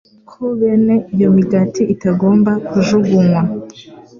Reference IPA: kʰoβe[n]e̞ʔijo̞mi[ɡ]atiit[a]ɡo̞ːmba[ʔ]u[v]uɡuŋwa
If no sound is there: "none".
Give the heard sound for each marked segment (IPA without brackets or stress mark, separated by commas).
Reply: n, ɡ, a, k, ʒ